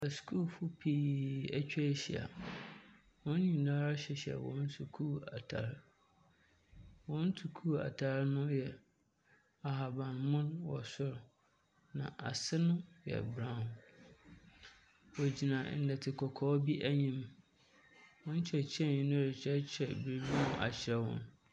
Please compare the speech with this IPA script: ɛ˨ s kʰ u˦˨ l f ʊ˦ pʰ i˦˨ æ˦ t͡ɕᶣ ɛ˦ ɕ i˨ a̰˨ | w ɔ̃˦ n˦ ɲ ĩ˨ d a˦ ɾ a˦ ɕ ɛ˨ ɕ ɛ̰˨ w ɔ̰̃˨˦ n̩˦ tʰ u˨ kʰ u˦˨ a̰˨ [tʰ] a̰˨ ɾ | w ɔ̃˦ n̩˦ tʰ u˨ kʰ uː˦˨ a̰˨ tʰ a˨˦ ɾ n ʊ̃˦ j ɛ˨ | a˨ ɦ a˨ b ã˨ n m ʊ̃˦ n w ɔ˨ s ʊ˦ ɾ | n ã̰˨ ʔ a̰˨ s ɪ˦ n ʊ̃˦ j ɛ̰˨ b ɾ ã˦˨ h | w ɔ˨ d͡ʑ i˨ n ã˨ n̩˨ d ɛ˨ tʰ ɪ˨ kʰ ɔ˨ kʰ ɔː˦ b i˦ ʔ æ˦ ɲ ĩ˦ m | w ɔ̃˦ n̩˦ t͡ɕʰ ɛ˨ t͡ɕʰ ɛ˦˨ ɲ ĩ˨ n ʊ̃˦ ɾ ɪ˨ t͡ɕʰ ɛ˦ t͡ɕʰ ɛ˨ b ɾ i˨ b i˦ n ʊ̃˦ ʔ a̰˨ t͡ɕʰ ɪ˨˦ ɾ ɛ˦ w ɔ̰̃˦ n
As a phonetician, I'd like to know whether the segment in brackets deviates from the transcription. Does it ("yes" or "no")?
no